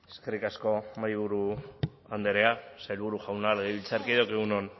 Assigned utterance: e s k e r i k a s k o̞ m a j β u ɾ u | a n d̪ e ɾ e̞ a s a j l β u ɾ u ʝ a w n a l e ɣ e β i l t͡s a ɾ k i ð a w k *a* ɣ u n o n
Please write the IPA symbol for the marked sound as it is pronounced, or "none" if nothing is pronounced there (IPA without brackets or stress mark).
e